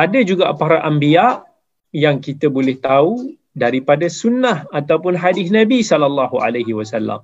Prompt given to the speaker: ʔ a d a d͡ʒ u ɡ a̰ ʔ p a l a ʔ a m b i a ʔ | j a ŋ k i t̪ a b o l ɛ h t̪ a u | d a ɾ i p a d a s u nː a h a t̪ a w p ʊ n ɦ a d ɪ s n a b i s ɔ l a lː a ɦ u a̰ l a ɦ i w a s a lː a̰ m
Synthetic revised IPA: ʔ a d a d͡ʒ u ɡ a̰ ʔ p a ɾ a ʔ a m b i a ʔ | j a ŋ k i t̪ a b o l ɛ h t̪ a u | d a ɾ i p a d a s u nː a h a t̪ a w p ʊ n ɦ a d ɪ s n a b i s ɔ l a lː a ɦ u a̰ l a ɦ i w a s a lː a̰ m